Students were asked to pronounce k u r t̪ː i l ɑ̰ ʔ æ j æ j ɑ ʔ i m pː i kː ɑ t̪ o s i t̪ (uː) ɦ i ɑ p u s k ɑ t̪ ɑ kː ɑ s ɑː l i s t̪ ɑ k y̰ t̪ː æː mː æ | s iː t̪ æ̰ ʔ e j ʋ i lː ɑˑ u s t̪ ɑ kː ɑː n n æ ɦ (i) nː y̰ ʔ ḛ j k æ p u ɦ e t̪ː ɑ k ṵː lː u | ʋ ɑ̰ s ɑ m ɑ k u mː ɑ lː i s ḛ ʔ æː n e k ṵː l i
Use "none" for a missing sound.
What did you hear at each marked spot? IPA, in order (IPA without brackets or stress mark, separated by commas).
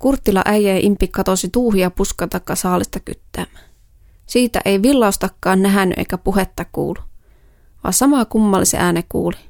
uː, æ